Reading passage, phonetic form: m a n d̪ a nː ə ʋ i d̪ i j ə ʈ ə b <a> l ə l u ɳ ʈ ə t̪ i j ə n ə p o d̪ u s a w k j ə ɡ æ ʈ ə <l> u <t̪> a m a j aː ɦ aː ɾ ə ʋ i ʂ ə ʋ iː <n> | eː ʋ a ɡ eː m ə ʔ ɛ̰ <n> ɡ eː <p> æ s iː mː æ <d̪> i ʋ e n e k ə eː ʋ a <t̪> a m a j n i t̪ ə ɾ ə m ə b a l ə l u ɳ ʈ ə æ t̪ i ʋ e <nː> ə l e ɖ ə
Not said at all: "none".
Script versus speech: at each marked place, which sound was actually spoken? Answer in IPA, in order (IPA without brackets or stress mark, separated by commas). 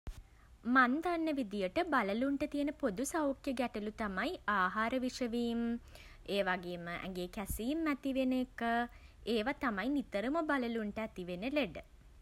a, l, t̪, m, ŋ, k, t̪, t̪, n